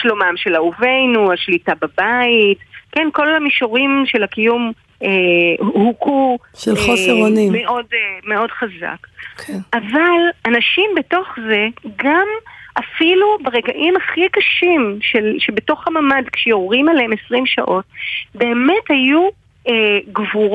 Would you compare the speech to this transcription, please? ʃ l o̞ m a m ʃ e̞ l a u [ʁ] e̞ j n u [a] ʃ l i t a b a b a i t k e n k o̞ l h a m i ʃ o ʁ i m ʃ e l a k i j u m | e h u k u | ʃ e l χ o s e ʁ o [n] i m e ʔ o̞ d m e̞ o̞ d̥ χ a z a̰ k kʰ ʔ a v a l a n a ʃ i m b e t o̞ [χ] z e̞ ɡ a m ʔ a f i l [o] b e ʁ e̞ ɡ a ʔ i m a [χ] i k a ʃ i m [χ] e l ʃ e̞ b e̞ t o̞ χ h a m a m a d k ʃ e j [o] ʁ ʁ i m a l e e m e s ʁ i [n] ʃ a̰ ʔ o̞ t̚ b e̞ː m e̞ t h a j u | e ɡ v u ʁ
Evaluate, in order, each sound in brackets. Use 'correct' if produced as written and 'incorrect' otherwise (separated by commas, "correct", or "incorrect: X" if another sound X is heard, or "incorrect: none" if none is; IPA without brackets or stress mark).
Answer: incorrect: v, correct, correct, correct, incorrect: u, correct, incorrect: ʃ, correct, incorrect: m